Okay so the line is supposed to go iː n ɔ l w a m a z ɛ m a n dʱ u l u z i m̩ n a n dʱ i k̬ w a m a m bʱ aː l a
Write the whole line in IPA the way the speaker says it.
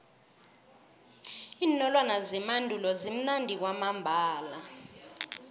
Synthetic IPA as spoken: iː n ɔ l w a n a z ɛ m a n dʱ u l ɔ z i m̩ n a n dʱ i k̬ w a m a m bʱ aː l a

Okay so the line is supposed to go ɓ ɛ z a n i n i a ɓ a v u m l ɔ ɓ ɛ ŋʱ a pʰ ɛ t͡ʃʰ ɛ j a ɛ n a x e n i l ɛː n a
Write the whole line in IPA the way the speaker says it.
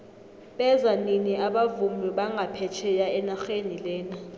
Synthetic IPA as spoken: ɓ ɛ z a n i n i a ɓ a v u m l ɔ ɓ a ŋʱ a pʰ ɛ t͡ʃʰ ɛ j a ɛ n a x e n i l ɛː n a

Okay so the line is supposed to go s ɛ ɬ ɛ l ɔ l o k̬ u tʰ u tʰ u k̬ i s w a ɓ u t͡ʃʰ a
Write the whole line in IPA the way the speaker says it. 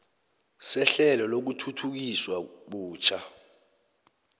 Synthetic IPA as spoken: s ɛ ɬ ɛ l ɔ l o k̬ u tʰ u tʰ u k̬ i s w a ɓ uː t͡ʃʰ a

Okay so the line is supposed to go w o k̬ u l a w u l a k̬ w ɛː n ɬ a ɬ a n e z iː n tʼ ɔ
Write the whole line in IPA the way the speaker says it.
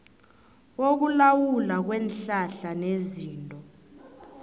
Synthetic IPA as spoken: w o k̬ u l a w u l a k̬ w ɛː n ɬ a ɬ a n e z iː n tʼ ɔ

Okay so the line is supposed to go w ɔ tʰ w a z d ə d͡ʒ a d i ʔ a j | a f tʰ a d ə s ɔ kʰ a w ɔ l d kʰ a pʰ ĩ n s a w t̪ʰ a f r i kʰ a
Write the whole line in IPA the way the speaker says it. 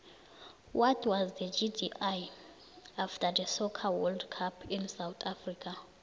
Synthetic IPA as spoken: w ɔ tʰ w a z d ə d͡ʒ i d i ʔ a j | a f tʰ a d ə s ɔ kʰ a w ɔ l d kʰ a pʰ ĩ n s a w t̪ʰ a f r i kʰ a

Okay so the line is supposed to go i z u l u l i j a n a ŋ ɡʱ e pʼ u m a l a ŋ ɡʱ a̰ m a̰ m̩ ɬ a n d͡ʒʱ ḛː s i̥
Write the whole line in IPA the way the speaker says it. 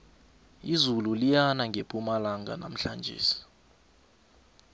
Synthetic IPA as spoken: i z u l u l i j a n a ŋ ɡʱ e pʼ u m a l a ŋ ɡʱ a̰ n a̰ m̩ ɬ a n d͡ʒʱ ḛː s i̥

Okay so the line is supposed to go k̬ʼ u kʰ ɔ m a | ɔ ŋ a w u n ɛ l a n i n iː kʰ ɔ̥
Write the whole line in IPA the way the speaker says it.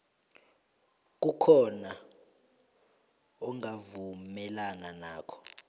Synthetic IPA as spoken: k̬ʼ u kʰ ɔ n a | ɔ ŋ a v u m ɛ l a n a n aː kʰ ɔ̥

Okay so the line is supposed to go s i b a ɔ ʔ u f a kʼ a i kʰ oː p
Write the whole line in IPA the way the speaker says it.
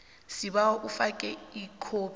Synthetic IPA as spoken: s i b a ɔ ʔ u f a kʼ ɛ i kʰ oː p

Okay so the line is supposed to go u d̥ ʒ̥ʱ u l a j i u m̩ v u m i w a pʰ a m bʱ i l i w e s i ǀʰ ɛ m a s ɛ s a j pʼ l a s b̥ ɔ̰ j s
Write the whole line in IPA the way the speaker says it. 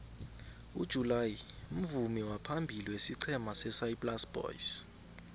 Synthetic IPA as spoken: u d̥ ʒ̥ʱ u l a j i u m̩ v u m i w a pʰ a m bʱ i l i w e s i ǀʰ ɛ m a s ɛ s a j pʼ l a s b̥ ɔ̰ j s

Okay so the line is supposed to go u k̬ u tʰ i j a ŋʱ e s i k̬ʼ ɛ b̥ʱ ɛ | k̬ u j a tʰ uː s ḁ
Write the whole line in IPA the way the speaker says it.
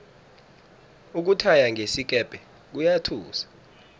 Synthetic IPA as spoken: u k̬ u tʰ a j a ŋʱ e s i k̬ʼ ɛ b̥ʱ ɛ | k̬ u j a tʰ uː s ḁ

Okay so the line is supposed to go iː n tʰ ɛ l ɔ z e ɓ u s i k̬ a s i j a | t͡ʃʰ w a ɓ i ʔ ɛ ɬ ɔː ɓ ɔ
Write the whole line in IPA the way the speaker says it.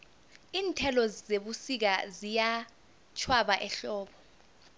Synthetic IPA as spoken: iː n tʰ ɛ l ɔ z e ɓ u s i k̬ a z i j a | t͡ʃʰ w a ɓ a ʔ ɛ ɬ ɔː ɓ ɔ

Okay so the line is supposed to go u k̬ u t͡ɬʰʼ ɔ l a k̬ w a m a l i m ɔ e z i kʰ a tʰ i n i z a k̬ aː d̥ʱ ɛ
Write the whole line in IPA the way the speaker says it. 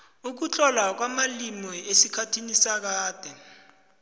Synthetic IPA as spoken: u k̬ u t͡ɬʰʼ ɔ l a k̬ w a m a l i m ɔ e s i kʰ a tʰ i n i s a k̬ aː d̥ʱ ɛ

